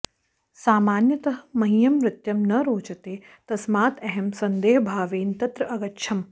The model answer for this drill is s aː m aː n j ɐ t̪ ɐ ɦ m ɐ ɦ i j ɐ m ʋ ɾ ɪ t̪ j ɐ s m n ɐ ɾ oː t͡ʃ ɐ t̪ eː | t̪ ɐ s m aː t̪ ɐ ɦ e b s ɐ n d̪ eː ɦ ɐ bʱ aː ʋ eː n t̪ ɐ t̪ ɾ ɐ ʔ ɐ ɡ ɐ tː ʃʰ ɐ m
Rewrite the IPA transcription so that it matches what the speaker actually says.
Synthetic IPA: s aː m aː n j ɐ t̪ ɐ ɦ m ɐ ɦ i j ɐ m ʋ ɾ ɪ t̪ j ɐ m n ɐ ɾ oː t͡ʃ ɐ t̪ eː | t̪ ɐ s m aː t̪ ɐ ɦ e m s ɐ n d̪ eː ɦ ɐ bʱ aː ʋ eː n t̪ ɐ t̪ ɾ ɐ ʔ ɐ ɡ ɐ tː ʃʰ ɐ m